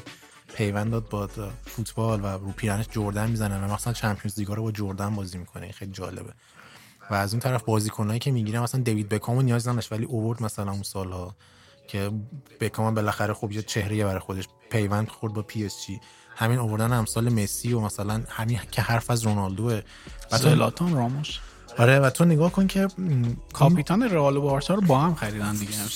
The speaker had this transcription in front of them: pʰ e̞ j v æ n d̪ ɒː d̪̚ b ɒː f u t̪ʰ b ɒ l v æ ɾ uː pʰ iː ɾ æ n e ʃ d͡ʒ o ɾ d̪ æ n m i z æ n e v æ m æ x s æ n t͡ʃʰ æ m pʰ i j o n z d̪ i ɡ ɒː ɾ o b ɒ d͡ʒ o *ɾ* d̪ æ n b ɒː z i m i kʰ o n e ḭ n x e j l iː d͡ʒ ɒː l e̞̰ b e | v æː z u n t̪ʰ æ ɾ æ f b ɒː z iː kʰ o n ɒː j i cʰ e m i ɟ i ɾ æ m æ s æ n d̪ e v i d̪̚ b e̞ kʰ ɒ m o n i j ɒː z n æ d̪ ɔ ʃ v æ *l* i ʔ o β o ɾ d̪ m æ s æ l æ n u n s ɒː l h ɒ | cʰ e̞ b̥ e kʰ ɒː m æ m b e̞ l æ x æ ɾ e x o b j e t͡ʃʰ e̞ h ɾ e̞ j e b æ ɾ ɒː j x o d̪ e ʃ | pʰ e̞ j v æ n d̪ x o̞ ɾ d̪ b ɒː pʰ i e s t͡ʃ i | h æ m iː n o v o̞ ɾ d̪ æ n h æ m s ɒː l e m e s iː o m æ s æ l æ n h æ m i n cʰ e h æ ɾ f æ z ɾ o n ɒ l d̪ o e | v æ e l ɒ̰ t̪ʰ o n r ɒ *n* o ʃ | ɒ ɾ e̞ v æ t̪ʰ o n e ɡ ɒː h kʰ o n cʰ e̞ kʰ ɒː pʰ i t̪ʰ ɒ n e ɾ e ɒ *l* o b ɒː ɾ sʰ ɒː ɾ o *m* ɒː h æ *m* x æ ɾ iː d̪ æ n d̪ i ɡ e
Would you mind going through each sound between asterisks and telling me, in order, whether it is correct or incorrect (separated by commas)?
correct, correct, incorrect, correct, incorrect, correct